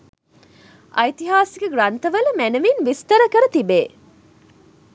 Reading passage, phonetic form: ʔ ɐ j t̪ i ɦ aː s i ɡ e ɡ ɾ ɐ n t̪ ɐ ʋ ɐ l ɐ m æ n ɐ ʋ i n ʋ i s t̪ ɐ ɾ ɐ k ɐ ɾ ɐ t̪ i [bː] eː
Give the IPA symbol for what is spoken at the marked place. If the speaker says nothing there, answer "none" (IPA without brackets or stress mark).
b